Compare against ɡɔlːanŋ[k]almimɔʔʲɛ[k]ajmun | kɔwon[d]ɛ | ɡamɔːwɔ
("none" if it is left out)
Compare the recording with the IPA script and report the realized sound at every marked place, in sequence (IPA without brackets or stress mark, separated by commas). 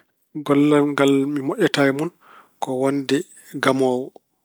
ɡ, t, d